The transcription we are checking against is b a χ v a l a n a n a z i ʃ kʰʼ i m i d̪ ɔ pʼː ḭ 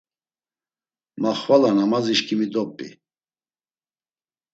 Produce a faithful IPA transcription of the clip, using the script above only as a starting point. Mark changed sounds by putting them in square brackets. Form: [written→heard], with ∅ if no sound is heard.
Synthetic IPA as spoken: [b→m] a χ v a l a n a [n→m] a z i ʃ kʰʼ i m i d̪ ɔ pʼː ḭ